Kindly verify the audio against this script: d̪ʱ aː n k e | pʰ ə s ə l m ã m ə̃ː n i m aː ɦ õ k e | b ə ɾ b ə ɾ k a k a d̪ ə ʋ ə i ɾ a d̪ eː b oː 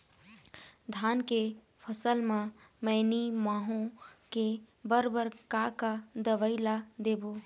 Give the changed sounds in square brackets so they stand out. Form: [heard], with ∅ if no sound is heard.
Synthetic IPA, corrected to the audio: d̪ʱ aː n k e | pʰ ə s ə l m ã m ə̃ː n i m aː ɦ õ k e | b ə ɾ b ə ɾ k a k a d̪ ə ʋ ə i [l] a d̪ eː b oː

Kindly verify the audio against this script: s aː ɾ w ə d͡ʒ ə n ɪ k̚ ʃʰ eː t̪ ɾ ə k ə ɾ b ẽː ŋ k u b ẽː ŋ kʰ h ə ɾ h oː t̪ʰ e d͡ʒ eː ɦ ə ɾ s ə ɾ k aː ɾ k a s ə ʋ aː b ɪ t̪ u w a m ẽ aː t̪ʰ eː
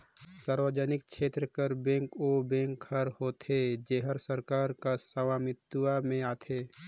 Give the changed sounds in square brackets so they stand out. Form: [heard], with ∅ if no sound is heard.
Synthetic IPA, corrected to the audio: s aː ɾ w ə d͡ʒ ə n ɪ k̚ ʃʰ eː t̪ ɾ ə k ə ɾ b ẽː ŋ k [o] b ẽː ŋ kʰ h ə ɾ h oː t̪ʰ e d͡ʒ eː ɦ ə ɾ s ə ɾ k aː ɾ k a s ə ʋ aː [m] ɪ t̪ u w a m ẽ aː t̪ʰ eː

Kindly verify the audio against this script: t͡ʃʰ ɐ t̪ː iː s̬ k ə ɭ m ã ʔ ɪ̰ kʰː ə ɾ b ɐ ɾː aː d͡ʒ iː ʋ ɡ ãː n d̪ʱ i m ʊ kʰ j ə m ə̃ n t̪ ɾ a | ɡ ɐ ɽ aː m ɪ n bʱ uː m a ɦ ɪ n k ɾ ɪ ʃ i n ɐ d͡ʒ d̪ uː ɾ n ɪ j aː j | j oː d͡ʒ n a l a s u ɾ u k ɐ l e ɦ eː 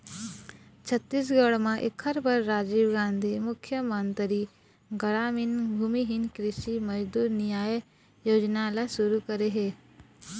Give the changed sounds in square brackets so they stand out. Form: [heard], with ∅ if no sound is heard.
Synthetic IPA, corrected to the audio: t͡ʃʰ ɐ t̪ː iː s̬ [ɡ] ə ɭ m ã ʔ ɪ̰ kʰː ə ɾ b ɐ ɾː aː d͡ʒ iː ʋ ɡ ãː n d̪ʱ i m ʊ kʰ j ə m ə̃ n t̪ ɾ [i] | ɡ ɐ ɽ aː m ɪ n bʱ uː m [i] ɦ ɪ n k ɾ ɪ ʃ i [m] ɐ d͡ʒ d̪ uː ɾ n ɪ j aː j | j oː d͡ʒ n a l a s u ɾ u k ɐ [ɾ] e ɦ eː

